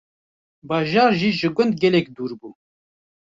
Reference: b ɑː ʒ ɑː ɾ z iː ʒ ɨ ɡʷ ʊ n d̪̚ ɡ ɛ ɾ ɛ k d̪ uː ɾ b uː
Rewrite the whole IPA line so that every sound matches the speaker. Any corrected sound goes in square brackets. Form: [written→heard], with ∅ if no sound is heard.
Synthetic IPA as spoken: b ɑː ʒ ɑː ɾ [z→ʒ] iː ʒ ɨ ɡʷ ʊ n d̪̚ ɡ ɛ [ɾ→l] ɛ k d̪ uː ɾ b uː

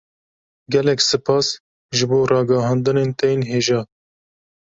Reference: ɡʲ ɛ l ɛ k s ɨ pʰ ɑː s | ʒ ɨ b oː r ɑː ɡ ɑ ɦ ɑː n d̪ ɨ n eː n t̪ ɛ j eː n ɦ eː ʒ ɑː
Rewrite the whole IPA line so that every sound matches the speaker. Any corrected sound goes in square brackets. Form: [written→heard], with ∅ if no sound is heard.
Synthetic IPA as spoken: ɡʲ ɛ l ɛ k s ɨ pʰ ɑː s | ʒ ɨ b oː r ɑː ɡ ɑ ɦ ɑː n d̪ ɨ n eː n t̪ ɛ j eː n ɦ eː ʒ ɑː

